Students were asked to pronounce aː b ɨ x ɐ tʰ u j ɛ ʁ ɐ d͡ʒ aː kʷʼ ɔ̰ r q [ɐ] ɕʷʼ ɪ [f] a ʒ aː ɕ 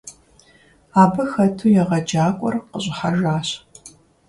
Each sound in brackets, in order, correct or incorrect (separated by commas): incorrect, incorrect